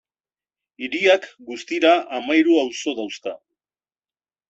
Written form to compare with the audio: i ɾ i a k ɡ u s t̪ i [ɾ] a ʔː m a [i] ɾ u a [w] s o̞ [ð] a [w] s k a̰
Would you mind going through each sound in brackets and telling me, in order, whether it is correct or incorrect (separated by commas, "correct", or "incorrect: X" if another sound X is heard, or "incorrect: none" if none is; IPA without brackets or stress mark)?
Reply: correct, incorrect: j, correct, correct, correct